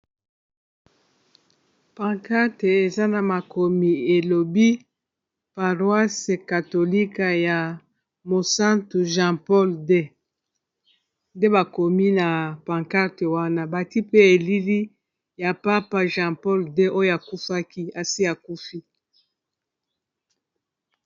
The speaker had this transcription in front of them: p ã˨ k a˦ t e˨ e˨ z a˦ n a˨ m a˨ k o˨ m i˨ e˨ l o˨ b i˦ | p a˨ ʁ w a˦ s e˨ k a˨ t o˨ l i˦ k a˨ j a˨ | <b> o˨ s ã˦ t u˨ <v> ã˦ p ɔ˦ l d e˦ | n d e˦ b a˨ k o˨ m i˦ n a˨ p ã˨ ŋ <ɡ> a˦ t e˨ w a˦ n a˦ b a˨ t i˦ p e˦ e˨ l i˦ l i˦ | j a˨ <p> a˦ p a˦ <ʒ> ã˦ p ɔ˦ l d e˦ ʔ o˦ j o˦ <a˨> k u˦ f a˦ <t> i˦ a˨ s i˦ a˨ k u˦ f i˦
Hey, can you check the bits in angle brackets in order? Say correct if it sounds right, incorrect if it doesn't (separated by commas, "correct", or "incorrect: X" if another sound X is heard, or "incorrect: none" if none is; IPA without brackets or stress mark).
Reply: incorrect: m, incorrect: ʒ, incorrect: k, correct, correct, correct, incorrect: k